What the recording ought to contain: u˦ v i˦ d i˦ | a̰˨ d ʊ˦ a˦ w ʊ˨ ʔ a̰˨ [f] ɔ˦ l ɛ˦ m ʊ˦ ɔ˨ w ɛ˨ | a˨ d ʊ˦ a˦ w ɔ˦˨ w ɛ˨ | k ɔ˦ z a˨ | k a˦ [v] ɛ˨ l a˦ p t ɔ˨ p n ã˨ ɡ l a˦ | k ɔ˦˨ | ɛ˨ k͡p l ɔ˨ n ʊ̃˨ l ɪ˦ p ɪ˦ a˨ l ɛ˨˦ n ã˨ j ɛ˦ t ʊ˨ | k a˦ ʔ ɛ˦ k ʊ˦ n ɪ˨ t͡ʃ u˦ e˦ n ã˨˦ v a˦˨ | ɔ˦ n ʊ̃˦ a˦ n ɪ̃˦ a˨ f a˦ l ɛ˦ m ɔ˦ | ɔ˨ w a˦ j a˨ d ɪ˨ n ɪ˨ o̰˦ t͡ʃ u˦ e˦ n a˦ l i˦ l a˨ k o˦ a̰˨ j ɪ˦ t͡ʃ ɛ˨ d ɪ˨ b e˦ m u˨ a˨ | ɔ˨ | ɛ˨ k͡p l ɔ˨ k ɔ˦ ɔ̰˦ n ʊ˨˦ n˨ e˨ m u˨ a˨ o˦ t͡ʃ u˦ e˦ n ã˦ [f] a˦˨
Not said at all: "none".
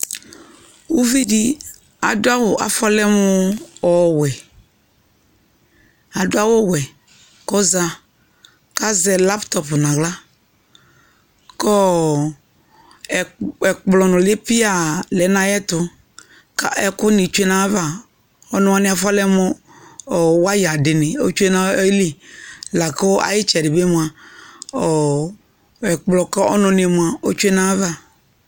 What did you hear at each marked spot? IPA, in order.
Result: f, z, v

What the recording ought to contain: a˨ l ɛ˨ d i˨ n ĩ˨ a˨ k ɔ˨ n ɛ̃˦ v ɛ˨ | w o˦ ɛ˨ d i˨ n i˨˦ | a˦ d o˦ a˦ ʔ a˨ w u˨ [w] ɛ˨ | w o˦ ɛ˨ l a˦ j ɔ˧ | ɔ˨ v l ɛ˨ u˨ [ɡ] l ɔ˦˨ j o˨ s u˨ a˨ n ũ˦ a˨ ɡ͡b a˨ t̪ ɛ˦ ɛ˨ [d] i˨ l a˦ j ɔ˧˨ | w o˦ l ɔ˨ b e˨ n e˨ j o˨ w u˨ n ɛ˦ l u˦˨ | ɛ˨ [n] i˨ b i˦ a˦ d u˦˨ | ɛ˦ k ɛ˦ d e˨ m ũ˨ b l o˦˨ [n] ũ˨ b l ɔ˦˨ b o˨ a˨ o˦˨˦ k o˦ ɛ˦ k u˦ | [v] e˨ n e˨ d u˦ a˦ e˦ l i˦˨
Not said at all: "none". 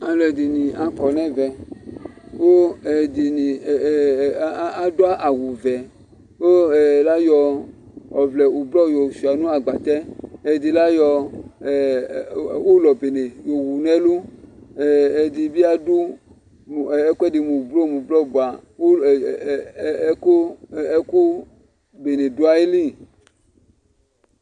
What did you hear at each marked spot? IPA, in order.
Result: v, b, d, d, m, b

